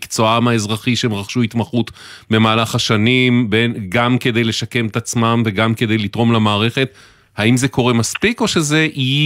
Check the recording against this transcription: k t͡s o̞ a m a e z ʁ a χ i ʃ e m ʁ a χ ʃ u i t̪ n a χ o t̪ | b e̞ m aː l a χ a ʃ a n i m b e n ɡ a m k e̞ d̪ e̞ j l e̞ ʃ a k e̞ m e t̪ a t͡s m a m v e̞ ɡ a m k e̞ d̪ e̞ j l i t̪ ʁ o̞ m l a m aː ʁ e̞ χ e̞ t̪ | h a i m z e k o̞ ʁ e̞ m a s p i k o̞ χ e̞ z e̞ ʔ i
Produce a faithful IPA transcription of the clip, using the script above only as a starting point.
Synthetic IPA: k t͡s o̞ a m a e z ʁ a χ i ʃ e m ʁ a χ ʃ u i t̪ m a χ u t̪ | b e̞ m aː l a χ a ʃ a n i m b e n ɡ a m k e̞ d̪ e̞ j l e̞ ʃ a k e̞ m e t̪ a t͡s m a m v e̞ ɡ a m k e̞ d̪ e̞ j l i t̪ ʁ o̞ m l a m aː ʁ e̞ χ e̞ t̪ | h a i m z e k o̞ ʁ e̞ m a s p i k o̞ ʃ e̞ z e̞ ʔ i